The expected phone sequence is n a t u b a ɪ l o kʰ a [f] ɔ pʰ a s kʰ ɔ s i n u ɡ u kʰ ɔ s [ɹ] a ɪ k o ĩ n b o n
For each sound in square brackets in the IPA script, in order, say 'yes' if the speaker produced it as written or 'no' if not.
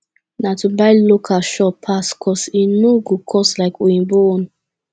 no, no

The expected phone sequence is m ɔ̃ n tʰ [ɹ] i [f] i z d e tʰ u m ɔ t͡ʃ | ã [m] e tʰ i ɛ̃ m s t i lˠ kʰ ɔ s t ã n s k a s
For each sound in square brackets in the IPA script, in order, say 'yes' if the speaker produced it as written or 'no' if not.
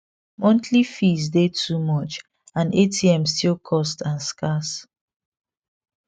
no, yes, no

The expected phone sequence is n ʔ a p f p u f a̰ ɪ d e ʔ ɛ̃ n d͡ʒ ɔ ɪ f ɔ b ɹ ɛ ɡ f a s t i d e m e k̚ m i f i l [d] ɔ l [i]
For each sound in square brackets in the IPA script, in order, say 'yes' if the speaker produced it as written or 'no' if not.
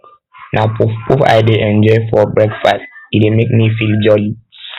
no, yes

